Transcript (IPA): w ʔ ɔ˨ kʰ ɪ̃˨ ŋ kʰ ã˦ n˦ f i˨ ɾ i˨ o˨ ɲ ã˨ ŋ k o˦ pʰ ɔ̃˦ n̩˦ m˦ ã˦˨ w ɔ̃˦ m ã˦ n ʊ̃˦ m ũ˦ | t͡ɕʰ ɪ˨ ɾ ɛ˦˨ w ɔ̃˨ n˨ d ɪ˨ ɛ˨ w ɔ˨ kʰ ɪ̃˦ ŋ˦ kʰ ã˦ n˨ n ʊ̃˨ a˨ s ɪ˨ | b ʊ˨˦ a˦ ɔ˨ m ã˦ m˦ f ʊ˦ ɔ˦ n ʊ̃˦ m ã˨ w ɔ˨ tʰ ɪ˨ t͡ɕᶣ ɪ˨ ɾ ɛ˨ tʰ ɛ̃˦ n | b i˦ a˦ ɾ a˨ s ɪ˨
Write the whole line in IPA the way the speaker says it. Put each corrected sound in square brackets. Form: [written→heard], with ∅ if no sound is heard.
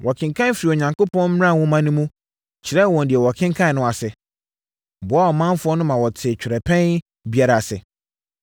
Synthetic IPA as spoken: w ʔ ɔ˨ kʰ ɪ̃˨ ŋ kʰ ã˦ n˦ f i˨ ɾ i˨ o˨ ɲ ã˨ ŋ k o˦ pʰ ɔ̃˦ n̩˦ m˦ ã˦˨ w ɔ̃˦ m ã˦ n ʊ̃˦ m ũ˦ | t͡ɕʰ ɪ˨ ɾ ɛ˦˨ w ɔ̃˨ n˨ d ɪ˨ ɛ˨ w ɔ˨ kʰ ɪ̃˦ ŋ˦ kʰ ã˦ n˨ n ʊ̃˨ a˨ s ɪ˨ | b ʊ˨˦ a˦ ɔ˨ m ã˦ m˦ f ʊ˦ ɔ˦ n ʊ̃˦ m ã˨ w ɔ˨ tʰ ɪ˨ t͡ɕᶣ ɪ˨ ɾ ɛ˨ [tʰ→pʰ] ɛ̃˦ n | b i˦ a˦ ɾ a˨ s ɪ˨

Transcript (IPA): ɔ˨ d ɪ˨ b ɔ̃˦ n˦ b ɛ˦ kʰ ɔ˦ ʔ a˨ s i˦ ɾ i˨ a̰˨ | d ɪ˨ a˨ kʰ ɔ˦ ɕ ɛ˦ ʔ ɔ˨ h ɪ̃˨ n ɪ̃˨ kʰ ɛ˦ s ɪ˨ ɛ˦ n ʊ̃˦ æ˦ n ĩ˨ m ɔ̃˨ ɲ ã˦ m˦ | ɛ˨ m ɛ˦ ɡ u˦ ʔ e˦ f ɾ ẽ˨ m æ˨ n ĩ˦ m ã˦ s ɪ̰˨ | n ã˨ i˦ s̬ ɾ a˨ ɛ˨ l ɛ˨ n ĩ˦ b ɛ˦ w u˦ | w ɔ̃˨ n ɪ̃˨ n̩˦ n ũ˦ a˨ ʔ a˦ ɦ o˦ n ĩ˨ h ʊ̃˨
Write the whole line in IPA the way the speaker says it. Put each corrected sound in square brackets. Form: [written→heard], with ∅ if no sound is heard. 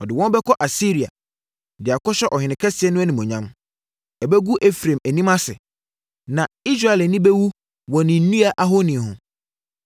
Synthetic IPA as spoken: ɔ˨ d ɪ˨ [b→w] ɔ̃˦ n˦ b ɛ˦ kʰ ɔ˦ ʔ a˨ s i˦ ɾ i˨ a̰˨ | d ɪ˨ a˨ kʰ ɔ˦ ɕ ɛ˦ ʔ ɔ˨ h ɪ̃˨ n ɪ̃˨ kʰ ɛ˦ s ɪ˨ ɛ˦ n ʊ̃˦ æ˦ n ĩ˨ m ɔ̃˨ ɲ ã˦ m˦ | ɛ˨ [m→b] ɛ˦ ɡ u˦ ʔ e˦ f ɾ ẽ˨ m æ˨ n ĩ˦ m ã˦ s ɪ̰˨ | n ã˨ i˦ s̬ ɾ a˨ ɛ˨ l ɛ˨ n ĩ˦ b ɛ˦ w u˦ | w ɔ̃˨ n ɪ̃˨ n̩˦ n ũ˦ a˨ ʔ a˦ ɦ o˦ n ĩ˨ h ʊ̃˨

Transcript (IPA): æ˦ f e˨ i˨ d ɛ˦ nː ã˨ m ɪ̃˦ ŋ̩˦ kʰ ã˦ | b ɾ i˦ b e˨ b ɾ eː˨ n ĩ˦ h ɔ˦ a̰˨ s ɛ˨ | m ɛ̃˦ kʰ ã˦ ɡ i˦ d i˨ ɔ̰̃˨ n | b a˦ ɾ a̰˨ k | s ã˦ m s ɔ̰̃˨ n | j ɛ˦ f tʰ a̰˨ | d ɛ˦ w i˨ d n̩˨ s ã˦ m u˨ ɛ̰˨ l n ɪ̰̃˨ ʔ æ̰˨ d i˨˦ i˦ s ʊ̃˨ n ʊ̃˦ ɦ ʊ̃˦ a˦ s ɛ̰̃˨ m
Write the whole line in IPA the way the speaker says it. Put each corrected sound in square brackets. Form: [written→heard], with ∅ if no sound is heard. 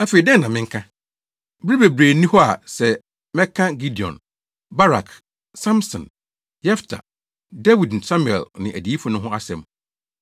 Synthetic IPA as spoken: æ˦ f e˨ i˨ d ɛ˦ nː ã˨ m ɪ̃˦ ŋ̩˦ kʰ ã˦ | b ɾ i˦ b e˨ b ɾ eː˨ n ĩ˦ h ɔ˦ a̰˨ s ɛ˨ | m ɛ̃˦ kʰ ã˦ ɡ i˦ d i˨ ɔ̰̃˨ n | b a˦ ɾ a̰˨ k | s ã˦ m s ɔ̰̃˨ n | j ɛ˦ f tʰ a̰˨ | d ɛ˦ w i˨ d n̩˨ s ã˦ m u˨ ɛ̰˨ l n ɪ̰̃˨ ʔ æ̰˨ d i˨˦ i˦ [s→f] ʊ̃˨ n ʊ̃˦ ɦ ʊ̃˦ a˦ s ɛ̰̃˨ m

